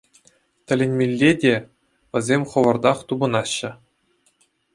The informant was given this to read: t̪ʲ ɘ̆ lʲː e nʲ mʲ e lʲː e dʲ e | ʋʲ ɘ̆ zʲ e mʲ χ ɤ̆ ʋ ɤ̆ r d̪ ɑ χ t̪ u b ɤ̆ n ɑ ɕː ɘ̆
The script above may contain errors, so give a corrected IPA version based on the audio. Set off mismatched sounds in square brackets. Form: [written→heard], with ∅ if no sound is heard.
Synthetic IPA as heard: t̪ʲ ɘ̆ [lʲː→lʲ] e nʲ mʲ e lʲː e dʲ e | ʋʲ ɘ̆ zʲ e mʲ χ ɤ̆ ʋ ɤ̆ r d̪ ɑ χ t̪ u b ɤ̆ n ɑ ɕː ɘ̆